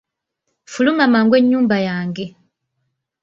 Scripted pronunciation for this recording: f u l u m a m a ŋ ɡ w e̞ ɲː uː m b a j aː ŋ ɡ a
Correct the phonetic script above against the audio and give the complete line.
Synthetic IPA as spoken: f u l u m a m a ŋ ɡ w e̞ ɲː uː m b a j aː ŋ ɡ e